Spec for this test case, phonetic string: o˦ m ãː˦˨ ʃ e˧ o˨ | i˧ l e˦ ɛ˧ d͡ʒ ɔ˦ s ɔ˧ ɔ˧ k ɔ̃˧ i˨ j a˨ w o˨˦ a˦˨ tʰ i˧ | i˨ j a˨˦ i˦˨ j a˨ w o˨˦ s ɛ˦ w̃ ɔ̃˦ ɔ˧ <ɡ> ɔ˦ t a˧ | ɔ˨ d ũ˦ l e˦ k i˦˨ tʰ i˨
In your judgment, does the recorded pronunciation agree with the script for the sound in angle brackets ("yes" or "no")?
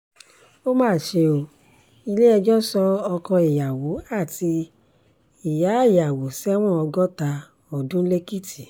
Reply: yes